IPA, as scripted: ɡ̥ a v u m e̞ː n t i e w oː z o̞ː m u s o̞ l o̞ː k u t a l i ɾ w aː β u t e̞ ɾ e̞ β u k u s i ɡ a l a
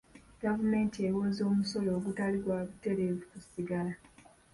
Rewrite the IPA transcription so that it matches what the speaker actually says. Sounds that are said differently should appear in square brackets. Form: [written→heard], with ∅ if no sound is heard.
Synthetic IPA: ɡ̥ a v u m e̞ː n t i e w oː z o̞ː m u s o̞ l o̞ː [k→ɡ] u t a l i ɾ w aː β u t e̞ ɾ e̞ [β→v] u k u s i ɡ a l a